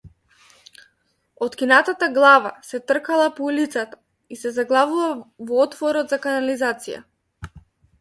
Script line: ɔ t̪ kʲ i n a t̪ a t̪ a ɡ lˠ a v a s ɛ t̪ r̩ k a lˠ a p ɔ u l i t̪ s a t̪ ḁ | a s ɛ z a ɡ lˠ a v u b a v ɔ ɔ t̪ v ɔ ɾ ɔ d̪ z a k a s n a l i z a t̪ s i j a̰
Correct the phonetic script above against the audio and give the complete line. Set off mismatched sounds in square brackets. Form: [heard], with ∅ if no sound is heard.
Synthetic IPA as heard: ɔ t̪ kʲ i n a t̪ a t̪ a ɡ lˠ a v a s ɛ t̪ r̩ k a lˠ a p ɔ u l i t̪ s a t̪ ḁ | [i] s ɛ z a ɡ lˠ a v u [v] a v ɔ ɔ t̪ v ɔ ɾ ɔ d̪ z a k a [∅] n a l i z a t̪ s i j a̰